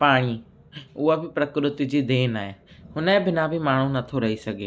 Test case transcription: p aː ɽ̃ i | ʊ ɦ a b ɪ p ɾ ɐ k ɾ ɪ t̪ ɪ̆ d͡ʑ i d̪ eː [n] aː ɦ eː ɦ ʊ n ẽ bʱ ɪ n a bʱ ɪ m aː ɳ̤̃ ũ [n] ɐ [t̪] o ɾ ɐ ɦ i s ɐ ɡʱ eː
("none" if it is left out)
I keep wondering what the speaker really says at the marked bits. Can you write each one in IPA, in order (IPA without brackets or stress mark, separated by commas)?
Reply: n, n, t̪ʰ